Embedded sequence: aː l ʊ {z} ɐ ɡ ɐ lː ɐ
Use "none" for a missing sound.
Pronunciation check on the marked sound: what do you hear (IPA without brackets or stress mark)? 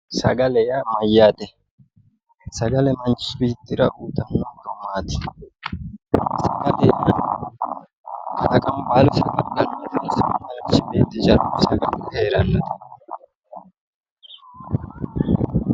s